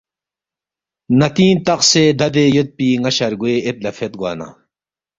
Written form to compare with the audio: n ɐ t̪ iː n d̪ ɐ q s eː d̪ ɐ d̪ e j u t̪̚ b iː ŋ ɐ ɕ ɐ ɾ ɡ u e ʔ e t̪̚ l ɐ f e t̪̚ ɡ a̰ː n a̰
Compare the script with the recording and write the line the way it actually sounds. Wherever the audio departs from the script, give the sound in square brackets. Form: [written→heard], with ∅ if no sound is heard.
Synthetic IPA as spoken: n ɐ t̪ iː n [d̪→t̪] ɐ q s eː d̪ ɐ d̪ e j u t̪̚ [b→p] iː ŋ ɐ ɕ ɐ ɾ ɡ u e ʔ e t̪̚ l ɐ f e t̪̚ ɡ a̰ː n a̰

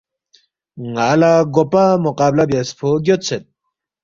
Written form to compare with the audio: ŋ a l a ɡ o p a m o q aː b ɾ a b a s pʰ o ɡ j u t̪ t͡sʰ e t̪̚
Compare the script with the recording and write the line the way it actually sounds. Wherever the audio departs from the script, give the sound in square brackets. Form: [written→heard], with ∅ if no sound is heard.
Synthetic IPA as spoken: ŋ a l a ɡ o p a m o q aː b [ɾ→l] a b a s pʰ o ɡ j [u→o] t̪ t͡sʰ e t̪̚

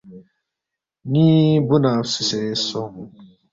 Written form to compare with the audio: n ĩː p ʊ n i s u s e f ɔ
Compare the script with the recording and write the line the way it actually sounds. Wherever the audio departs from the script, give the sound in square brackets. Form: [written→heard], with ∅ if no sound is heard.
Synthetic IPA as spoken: n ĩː [p→b] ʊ n [i→a] s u s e [f→s] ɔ

